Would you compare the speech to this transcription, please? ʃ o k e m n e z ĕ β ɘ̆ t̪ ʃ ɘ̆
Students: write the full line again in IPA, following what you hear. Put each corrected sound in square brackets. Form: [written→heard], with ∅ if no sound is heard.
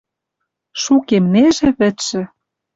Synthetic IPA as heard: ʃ [o→u] k e m n e [z→ʒ] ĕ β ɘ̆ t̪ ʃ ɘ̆